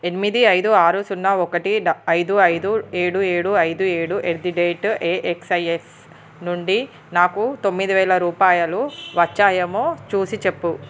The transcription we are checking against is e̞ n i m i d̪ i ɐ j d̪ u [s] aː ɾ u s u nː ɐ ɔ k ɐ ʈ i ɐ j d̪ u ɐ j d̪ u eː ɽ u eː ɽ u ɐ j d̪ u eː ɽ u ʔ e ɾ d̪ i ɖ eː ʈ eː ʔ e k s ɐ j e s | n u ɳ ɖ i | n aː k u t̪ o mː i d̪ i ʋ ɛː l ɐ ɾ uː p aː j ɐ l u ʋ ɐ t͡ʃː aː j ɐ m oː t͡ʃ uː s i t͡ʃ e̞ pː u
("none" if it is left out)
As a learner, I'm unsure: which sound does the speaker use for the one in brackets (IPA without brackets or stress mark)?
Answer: none